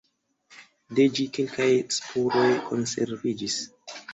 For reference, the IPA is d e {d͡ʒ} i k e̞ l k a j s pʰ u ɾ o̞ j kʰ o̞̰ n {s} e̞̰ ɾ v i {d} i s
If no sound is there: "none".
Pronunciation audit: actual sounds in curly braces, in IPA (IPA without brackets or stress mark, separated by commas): d͡ʒ, s, d͡ʒ